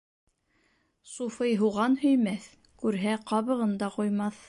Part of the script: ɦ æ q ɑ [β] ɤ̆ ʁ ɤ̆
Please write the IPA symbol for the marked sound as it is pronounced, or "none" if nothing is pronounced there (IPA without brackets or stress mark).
β